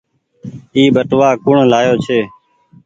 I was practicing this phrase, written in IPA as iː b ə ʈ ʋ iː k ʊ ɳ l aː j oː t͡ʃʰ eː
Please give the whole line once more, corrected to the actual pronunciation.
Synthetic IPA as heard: iː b ə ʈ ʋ aː k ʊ ɳ l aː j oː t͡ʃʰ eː